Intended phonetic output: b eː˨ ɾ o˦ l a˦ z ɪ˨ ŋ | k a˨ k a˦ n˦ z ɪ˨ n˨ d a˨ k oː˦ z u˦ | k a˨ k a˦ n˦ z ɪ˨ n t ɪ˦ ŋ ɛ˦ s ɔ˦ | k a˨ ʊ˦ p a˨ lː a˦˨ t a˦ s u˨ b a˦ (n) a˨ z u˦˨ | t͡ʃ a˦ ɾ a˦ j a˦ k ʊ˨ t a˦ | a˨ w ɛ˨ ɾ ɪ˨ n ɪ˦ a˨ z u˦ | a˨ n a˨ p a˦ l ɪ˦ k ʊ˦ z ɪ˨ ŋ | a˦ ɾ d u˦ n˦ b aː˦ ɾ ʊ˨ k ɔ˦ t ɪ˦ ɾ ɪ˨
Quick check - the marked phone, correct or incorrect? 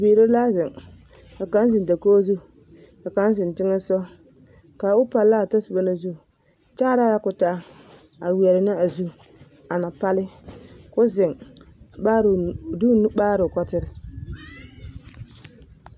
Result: correct